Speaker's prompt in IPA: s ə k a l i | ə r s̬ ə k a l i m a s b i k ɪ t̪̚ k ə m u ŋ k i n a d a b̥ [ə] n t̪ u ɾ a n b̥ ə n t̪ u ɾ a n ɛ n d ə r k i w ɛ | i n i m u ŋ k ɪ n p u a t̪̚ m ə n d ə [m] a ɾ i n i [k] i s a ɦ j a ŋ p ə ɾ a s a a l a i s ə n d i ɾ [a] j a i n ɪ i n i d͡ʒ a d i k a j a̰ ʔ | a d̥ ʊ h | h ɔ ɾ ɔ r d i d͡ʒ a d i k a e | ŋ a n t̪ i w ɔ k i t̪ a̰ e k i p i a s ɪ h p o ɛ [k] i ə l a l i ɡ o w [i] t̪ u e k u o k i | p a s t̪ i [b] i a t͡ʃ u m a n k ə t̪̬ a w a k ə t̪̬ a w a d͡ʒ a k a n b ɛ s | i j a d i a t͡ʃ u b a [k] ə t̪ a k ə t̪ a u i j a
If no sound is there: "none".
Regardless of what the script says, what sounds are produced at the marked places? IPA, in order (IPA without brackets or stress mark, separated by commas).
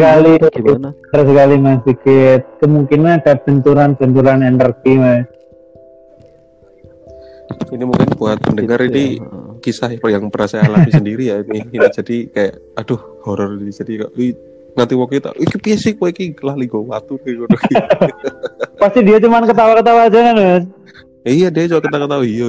ə, ŋ, k, i, k, a, d, k